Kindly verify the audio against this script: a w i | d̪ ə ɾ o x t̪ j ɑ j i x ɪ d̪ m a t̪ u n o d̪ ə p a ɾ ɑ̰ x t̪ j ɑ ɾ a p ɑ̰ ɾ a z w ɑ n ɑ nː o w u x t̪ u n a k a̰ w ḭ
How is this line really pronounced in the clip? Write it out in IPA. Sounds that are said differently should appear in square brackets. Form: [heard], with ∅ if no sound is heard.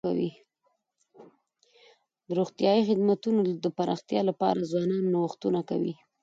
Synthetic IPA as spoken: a w i | d̪ ə ɾ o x t̪ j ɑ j i x ɪ d̪ m a t̪ u n o d̪ ə p a ɾ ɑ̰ x t̪ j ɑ [l] a p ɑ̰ ɾ a z w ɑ n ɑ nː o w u x t̪ u n a k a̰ w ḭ